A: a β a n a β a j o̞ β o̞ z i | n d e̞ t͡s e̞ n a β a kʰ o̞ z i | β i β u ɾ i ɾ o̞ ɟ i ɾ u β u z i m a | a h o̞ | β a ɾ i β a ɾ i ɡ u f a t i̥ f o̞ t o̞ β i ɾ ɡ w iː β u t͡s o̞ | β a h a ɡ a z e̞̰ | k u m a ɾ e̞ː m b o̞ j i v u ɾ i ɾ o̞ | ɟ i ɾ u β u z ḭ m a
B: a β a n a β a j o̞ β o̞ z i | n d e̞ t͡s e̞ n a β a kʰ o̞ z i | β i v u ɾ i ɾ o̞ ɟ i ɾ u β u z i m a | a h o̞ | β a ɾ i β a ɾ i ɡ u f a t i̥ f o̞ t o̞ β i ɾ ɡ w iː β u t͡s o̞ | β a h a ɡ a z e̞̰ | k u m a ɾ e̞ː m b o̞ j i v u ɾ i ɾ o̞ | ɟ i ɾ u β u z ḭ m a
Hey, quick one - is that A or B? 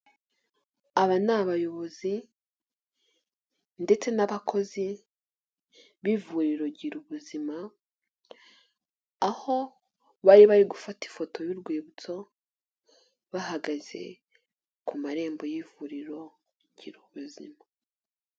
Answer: B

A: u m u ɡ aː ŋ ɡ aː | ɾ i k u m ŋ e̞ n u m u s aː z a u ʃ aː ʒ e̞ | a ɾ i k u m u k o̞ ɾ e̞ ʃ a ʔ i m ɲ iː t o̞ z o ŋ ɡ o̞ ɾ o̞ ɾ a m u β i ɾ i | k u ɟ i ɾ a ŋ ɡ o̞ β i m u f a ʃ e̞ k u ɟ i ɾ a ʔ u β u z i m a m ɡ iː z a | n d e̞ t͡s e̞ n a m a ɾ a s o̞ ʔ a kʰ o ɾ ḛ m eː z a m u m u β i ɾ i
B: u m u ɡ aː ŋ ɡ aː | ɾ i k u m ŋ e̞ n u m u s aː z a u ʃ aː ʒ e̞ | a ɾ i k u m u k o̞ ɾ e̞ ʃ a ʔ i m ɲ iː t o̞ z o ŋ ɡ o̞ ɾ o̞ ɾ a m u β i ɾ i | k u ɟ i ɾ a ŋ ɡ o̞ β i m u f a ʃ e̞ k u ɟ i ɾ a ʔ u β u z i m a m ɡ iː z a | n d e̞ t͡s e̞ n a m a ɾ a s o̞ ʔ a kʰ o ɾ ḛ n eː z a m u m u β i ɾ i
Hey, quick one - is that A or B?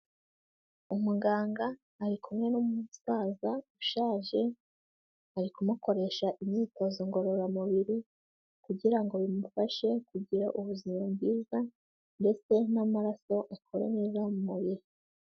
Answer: B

